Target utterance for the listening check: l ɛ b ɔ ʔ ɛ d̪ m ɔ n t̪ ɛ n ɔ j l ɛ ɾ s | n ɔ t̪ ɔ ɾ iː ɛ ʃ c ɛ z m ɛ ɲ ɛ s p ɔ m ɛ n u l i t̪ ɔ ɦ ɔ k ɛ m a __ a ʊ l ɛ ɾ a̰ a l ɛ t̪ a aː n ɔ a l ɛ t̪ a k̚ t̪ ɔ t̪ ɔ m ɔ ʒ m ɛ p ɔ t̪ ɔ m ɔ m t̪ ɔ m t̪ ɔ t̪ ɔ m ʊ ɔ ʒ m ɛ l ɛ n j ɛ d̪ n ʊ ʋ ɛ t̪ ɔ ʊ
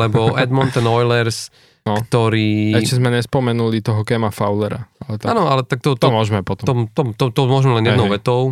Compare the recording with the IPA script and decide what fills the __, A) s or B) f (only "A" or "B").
B